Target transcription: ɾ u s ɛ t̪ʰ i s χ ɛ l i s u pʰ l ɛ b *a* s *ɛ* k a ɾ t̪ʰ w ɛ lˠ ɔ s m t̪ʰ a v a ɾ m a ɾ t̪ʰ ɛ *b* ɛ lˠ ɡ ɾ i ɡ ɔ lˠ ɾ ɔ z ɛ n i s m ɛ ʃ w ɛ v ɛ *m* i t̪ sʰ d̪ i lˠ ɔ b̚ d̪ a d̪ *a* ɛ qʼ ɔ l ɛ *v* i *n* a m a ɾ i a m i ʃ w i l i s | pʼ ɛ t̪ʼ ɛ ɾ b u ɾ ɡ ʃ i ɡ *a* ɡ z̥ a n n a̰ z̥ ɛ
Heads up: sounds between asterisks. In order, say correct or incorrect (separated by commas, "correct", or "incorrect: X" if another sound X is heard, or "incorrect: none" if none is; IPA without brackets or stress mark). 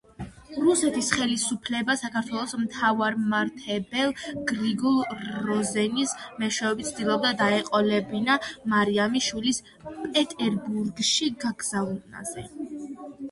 correct, incorrect: a, correct, incorrect: b, correct, incorrect: b, correct, correct